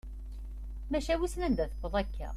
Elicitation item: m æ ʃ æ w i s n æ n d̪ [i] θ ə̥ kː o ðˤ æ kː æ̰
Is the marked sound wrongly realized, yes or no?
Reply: yes